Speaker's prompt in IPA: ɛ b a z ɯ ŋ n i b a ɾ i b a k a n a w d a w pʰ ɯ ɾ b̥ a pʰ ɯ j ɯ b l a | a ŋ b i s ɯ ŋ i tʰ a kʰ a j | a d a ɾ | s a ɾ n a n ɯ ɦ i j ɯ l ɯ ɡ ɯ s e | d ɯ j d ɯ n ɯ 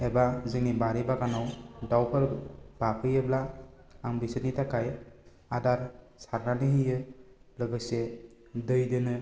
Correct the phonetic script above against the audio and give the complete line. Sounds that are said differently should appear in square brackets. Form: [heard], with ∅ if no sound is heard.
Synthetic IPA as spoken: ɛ b a z ɯ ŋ n i b a ɾ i b a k a n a w d a w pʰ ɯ ɾ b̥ a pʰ ɯ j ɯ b l a | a ŋ b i s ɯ [n] i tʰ a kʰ a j | a d a ɾ | s a ɾ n a n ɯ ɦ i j ɯ l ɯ ɡ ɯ s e | d ɯ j d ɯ n ɯ